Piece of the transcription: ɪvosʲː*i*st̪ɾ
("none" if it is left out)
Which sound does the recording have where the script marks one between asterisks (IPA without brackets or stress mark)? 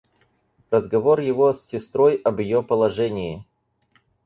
ɪ